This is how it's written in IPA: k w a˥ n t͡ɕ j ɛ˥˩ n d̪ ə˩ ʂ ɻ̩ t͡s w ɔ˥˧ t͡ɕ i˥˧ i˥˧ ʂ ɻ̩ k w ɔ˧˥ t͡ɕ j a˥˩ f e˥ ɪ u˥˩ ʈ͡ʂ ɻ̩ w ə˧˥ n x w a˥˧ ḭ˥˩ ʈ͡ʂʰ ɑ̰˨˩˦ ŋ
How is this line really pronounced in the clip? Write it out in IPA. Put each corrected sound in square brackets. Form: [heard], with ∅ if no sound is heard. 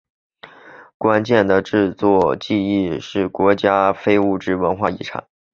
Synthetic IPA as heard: k w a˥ n t͡ɕ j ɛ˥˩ n d̪ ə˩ [ʈ͡ʂ] ɻ̩ t͡s w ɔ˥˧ t͡ɕ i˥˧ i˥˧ ʂ ɻ̩ k w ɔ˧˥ t͡ɕ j [a˥] f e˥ ɪ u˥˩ ʈ͡ʂ ɻ̩ w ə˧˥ n x w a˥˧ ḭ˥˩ ʈ͡ʂʰ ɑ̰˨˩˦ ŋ

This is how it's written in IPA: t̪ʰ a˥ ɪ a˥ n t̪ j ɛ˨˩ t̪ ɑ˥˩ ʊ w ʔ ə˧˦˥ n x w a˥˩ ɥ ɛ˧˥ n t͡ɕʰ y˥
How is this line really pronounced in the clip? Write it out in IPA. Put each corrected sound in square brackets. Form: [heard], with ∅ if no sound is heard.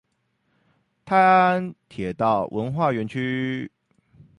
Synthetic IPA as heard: t̪ʰ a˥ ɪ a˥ n [t̪ʰ] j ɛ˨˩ t̪ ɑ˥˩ ʊ w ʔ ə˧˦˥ n x w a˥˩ ɥ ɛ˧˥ n t͡ɕʰ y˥

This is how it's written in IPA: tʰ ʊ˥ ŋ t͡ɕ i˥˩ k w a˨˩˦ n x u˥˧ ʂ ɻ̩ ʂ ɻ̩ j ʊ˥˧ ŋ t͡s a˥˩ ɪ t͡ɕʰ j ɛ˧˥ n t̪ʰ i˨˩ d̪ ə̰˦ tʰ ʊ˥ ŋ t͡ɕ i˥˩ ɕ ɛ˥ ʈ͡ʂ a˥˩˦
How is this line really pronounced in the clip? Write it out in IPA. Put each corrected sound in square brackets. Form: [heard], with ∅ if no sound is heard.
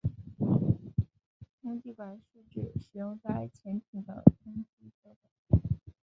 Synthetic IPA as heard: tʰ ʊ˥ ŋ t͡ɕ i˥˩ k w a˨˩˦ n [ʂ] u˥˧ [ʈ͡ʂ] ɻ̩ ʂ ɻ̩ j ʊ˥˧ ŋ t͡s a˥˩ ɪ t͡ɕʰ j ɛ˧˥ n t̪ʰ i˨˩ d̪ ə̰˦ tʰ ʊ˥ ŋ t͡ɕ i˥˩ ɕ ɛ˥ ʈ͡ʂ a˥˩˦

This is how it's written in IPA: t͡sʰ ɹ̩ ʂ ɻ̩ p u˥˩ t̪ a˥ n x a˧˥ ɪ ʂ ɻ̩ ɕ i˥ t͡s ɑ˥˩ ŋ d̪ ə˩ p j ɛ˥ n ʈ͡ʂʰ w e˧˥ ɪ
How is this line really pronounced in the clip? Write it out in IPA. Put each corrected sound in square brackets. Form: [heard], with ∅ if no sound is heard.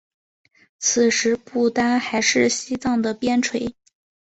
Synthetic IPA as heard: t͡sʰ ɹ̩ ʂ ɻ̩ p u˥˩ t̪ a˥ n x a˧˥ ɪ ʂ ɻ̩ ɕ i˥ t͡s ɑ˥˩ ŋ d̪ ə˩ p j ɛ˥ n ʈ͡ʂʰ w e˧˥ ɪ

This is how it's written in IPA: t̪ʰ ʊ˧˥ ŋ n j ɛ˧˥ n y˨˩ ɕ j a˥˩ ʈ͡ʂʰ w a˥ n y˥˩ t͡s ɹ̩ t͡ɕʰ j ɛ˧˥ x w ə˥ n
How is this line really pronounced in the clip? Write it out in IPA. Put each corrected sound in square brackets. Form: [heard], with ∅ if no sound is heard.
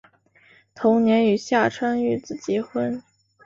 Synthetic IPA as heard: t̪ʰ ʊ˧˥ ŋ n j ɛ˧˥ n y˨˩ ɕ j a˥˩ ʈ͡ʂʰ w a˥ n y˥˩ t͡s ɹ̩ [t͡ɕ] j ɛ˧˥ x w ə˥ n

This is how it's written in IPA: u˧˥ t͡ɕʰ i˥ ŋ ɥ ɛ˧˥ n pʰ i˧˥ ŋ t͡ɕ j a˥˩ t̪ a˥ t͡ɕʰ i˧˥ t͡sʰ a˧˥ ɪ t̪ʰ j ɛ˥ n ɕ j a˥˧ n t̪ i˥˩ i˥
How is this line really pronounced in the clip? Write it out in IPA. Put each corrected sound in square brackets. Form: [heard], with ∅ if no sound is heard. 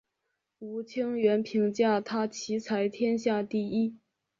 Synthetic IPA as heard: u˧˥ t͡ɕʰ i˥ ŋ ɥ ɛ˧˥ n pʰ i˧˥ ŋ t͡ɕ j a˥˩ [t̪ʰ] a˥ t͡ɕʰ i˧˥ t͡sʰ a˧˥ ɪ t̪ʰ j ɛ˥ n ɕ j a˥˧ [∅] t̪ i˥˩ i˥

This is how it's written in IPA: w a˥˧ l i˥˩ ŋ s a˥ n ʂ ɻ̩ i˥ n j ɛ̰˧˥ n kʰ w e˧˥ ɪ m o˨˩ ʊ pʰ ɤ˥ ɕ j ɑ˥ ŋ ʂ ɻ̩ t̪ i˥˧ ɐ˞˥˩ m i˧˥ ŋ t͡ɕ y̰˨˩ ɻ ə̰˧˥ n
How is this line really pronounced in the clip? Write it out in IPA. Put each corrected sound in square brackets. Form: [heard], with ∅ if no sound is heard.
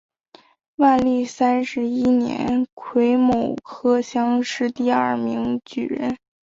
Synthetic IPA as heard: w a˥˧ l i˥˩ [∅] s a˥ n ʂ ɻ̩ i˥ n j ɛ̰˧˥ n kʰ w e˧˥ ɪ m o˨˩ ʊ [kʰ] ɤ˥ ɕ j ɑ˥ ŋ ʂ ɻ̩ t̪ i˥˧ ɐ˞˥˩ m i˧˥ ŋ t͡ɕ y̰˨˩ ɻ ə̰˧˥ n

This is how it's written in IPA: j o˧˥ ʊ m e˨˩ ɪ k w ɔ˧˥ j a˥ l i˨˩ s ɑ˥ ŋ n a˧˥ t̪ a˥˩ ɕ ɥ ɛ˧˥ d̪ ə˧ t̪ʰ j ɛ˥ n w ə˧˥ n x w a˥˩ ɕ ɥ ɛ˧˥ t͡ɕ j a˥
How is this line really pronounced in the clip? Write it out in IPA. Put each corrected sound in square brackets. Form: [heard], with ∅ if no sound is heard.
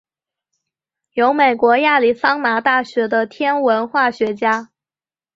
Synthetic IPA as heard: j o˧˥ ʊ m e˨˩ ɪ k w ɔ˧˥ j [a˥˩] l i˨˩ s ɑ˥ ŋ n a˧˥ t̪ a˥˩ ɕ ɥ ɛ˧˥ d̪ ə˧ t̪ʰ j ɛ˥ n w ə˧˥ n x w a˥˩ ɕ ɥ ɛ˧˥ t͡ɕ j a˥

